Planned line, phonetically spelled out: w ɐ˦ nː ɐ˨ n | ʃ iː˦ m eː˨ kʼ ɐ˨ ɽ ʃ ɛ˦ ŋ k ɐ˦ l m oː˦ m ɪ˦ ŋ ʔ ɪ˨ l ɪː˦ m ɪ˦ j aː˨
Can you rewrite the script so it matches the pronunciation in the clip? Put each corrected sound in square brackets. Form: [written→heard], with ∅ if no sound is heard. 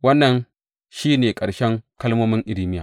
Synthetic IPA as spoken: w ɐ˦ nː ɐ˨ n | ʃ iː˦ [m→n] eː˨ kʼ ɐ˨ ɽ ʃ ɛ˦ ŋ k ɐ˦ l m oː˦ m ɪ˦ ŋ ʔ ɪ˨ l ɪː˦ m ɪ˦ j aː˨